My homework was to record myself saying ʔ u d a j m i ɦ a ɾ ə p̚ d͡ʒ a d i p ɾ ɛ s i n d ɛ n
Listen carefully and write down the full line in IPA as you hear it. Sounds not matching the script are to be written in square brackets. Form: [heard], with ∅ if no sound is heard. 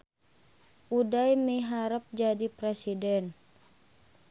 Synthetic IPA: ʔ u d a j m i ɦ a ɾ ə p̚ d͡ʒ a d i p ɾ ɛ s i [∅] d ɛ n